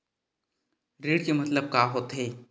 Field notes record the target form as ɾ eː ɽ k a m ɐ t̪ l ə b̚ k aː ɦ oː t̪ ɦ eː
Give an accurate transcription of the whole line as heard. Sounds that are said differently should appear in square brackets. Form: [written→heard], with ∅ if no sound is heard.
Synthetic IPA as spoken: ɾ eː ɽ k [a→e] m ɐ t̪ l ə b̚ k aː ɦ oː t̪ ɦ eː